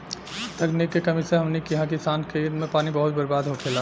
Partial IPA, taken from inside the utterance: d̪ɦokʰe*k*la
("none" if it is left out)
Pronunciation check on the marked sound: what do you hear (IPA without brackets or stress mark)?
none